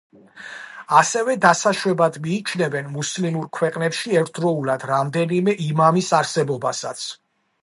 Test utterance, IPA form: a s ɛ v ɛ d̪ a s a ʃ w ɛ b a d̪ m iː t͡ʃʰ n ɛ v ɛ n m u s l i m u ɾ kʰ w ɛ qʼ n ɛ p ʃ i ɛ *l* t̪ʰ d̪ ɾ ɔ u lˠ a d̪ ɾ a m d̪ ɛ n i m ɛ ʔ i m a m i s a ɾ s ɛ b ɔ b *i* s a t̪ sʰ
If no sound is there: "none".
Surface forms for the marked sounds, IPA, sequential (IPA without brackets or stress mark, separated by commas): ɾ, a